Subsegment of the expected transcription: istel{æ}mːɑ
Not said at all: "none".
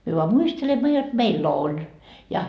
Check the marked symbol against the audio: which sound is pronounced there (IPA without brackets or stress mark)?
e